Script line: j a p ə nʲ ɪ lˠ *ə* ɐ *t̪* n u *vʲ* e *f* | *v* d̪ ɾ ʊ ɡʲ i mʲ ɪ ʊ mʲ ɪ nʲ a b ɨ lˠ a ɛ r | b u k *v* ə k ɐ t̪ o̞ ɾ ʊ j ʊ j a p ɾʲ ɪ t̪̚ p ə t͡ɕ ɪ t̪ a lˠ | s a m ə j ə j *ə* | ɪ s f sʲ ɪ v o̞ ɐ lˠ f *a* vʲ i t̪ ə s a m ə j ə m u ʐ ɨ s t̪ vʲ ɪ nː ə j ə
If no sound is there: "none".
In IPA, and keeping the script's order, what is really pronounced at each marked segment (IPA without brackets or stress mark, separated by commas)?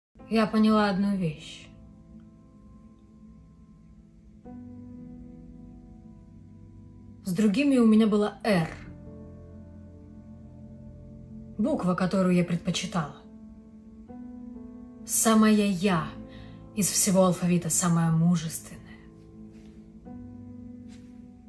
a, d̪, vʲ, ɕ, z, v, a, ɐ